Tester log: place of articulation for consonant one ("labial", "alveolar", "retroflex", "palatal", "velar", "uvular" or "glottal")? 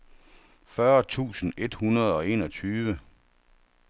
labial